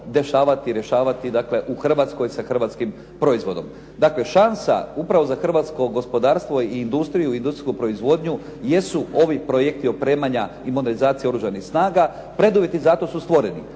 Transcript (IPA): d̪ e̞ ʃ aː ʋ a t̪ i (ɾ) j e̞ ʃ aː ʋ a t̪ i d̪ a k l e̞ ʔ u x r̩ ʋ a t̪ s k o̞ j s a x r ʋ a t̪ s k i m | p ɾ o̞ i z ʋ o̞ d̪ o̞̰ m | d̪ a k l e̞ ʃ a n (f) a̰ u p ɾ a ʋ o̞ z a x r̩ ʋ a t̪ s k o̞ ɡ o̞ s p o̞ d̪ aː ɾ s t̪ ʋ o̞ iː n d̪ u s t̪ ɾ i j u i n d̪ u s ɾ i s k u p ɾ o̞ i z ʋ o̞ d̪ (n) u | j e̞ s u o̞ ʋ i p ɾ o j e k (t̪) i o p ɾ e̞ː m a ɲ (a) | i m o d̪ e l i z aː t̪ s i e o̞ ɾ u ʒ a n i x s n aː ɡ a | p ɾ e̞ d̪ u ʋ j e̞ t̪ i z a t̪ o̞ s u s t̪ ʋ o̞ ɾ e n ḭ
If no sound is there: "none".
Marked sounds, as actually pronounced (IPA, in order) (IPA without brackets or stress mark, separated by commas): ɾ, s, ɲ, t̪, a